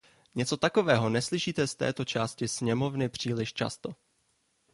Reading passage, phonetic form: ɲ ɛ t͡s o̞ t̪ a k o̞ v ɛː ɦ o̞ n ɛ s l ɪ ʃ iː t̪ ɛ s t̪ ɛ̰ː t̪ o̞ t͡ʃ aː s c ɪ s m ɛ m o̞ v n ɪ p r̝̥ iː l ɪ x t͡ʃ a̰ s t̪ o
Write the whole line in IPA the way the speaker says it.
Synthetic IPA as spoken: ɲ ɛ t͡s o̞ t̪ a k o̞ v ɛː ɦ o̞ n ɛ s l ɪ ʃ iː t̪ ɛ s t̪ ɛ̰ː t̪ o̞ t͡ʃ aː s c ɪ s ɲ ɛ m o̞ v n ɪ p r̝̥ iː l ɪ ʃ t͡ʃ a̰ s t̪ o